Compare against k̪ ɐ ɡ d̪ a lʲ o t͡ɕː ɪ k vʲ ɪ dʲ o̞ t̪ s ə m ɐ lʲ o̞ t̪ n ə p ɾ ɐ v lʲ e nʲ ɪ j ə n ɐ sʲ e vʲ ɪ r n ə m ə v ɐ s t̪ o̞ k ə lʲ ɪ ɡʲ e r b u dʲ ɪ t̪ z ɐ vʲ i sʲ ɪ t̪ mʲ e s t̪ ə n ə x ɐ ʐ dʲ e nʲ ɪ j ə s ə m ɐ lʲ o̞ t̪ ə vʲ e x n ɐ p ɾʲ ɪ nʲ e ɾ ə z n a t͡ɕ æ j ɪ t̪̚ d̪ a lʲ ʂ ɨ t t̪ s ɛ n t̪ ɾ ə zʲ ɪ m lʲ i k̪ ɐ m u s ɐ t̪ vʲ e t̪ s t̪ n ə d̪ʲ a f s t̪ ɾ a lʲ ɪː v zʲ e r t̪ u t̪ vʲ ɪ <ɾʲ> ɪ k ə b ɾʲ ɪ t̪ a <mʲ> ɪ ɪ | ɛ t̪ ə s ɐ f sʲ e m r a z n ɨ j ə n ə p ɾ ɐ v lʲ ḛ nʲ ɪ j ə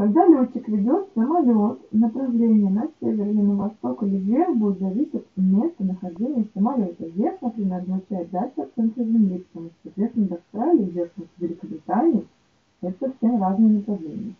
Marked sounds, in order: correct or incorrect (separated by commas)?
incorrect, incorrect